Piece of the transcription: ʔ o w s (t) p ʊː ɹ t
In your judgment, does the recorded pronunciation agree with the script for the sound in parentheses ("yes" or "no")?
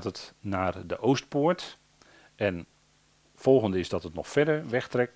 yes